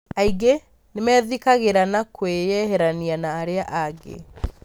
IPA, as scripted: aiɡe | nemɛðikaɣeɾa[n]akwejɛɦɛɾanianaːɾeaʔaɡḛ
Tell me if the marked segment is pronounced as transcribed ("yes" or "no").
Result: yes